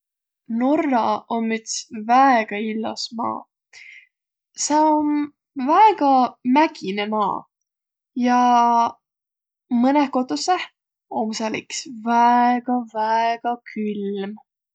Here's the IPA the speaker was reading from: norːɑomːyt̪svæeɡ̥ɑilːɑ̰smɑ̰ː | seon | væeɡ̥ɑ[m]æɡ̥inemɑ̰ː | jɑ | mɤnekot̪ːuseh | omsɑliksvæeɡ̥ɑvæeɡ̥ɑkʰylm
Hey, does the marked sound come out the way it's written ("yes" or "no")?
yes